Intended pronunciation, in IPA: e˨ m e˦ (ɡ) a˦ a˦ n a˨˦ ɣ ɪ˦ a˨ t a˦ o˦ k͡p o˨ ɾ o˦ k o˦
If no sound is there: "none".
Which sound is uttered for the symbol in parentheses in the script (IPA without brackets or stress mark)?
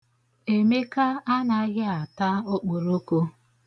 k